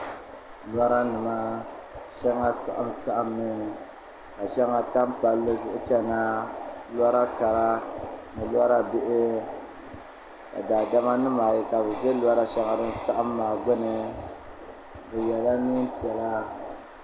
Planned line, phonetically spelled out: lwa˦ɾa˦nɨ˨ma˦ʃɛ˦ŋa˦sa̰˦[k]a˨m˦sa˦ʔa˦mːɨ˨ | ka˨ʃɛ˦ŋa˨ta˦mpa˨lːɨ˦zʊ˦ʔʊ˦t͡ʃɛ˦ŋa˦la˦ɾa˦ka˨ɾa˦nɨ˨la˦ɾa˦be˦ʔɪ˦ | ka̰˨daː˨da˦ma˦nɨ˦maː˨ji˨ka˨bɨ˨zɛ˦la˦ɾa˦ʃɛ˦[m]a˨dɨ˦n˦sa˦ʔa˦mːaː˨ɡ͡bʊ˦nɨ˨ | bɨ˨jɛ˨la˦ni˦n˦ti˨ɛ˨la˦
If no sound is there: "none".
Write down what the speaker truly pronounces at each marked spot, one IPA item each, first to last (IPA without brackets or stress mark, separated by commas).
ʔ, ŋ